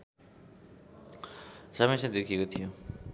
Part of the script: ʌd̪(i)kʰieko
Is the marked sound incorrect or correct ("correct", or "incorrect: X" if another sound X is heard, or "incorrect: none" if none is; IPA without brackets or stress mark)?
incorrect: e